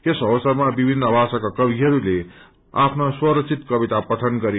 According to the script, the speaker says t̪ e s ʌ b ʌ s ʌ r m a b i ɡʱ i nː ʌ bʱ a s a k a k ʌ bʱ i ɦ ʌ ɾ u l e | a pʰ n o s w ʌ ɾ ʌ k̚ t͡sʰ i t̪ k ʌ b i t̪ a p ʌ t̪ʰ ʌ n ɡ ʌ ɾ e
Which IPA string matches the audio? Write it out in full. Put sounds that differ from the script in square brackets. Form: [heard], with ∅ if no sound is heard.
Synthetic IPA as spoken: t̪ e s ʌ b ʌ s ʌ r m a b i [bʱ] i nː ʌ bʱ a s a k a k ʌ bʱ i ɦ ʌ ɾ u l e | a pʰ n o s w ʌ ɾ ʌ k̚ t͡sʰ i t̪ k ʌ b i t̪ a p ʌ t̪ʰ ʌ n ɡ ʌ ɾ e